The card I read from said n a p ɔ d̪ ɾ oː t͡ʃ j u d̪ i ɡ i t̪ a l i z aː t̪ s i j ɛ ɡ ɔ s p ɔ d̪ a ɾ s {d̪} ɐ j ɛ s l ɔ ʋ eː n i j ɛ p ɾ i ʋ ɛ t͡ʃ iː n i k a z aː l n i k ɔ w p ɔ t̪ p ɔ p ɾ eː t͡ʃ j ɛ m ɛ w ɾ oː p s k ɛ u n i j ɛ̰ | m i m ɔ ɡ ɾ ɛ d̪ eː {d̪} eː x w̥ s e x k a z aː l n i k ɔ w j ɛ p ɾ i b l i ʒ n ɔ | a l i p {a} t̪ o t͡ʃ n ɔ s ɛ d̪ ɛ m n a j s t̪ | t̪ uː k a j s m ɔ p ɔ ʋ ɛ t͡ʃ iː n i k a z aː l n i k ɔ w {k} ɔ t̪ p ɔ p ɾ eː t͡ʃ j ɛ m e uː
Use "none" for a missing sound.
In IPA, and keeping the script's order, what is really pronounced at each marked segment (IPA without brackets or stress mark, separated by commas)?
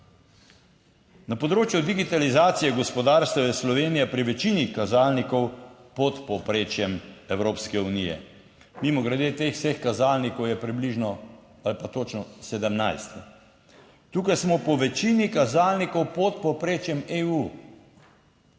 t̪, t̪, a, p